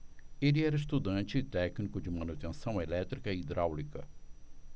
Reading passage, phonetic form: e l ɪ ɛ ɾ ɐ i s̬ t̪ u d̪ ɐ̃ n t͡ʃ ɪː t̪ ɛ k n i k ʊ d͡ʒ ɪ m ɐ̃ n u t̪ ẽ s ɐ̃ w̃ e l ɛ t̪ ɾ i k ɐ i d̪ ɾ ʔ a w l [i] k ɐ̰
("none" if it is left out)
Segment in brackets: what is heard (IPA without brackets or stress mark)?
i